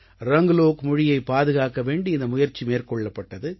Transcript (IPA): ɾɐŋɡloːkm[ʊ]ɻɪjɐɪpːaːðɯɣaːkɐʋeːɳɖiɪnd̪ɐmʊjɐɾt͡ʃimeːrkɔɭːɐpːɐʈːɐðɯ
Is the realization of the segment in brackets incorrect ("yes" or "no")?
no